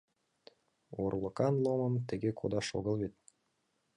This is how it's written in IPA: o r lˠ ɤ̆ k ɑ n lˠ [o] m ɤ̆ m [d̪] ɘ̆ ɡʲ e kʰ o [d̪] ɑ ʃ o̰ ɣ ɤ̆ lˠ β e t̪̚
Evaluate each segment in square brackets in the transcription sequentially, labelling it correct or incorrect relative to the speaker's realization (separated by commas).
correct, incorrect, correct